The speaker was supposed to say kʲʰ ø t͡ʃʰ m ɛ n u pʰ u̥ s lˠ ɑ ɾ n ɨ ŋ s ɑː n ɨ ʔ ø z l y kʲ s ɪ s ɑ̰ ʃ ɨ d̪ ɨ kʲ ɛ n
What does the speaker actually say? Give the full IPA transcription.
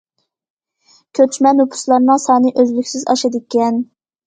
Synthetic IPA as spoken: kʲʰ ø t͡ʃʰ m ɛ n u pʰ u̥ s lˠ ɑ ɾ n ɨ ŋ s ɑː n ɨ ʔ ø z l y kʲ s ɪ z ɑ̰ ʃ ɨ d̪ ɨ kʲ ɛ n